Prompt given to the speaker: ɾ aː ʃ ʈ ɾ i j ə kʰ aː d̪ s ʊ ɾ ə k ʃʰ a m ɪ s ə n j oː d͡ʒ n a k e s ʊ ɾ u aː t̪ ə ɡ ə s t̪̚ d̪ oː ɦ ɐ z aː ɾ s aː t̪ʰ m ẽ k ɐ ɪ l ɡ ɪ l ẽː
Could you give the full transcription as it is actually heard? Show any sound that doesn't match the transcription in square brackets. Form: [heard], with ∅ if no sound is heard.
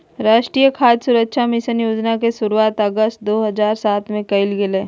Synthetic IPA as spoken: ɾ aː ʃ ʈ ɾ i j ə kʰ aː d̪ s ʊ ɾ ə k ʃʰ a m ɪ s ə n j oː d͡ʒ n a k e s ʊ ɾ u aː t̪ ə ɡ ə s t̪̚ d̪ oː ɦ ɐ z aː ɾ s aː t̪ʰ m ẽ k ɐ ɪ l ɡ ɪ l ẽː

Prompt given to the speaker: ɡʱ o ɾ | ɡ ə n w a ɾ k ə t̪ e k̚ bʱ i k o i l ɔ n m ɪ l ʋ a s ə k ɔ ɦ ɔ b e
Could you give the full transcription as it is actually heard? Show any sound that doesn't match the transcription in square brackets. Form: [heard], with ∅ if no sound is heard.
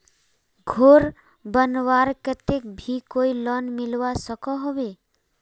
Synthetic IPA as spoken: ɡʱ o ɾ | [b] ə n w a ɾ k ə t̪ e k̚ bʱ i k o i l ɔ n m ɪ l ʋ a s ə k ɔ ɦ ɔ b e

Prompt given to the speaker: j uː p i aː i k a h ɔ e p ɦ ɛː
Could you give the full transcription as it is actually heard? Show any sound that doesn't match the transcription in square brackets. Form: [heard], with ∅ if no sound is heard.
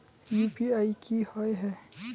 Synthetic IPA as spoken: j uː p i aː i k [i] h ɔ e [∅] ɦ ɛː

